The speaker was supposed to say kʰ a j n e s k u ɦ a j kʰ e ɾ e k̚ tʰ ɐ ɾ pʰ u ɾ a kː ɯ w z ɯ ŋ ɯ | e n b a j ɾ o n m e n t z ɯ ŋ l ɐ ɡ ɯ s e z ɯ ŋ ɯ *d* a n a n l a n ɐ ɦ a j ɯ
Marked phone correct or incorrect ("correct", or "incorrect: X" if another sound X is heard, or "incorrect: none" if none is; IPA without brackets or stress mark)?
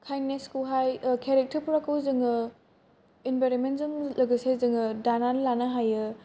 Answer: correct